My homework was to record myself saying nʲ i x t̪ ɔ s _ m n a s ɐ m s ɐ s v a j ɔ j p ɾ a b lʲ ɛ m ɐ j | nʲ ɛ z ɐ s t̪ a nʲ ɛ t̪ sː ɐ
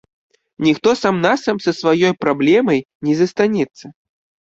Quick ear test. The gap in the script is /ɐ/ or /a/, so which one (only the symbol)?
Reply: a